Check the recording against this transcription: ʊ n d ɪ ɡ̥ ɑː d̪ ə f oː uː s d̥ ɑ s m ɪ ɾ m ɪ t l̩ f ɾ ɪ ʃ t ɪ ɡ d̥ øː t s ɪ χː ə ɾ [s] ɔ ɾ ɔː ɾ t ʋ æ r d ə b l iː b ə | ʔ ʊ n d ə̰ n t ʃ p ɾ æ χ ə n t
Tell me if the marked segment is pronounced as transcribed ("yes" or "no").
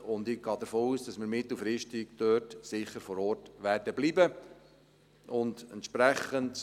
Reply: no